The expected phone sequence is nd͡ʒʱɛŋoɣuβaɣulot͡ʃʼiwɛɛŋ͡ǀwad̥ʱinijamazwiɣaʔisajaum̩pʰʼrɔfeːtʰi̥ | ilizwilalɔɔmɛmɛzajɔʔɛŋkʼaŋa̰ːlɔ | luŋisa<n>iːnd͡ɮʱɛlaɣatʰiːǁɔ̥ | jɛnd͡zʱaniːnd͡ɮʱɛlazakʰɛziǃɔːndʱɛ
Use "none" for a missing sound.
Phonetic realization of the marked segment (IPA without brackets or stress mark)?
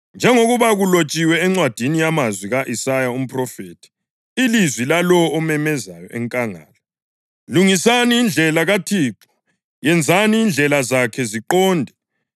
n